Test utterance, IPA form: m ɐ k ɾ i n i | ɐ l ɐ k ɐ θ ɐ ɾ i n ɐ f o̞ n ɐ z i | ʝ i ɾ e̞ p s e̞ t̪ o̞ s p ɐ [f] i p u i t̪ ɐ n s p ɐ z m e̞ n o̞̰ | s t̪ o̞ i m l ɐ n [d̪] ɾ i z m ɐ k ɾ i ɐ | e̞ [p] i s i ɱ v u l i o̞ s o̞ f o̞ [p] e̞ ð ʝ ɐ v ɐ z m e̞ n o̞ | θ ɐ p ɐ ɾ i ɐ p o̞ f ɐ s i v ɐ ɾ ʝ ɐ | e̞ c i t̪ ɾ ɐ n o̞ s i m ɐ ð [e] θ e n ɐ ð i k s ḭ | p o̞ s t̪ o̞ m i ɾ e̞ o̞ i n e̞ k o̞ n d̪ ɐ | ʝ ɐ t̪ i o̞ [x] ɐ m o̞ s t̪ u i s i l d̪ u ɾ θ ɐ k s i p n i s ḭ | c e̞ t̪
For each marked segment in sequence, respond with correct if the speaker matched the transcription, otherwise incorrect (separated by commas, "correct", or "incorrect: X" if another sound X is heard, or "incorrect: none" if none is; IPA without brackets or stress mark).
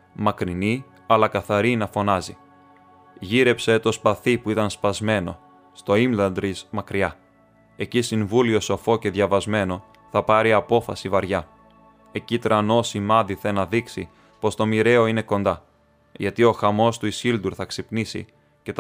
incorrect: θ, correct, incorrect: c, incorrect: c, incorrect: i, correct